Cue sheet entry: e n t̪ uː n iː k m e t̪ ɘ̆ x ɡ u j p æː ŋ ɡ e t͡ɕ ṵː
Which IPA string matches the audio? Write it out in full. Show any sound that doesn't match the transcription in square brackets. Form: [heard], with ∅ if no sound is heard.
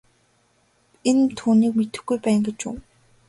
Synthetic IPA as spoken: e n [t̪ʰ] uː n iː k m e t̪ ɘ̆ x ɡ u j p æː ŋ ɡ e t͡ɕ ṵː